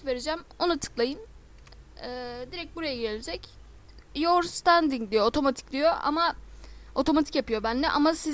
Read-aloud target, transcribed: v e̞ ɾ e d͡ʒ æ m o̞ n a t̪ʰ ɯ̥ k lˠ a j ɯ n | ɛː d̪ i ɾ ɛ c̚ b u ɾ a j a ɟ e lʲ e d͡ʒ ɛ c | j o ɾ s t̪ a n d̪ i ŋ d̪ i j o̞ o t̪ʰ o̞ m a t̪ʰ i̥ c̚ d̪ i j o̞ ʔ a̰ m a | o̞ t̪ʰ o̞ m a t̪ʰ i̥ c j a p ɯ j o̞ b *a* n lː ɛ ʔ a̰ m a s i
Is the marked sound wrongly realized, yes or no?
yes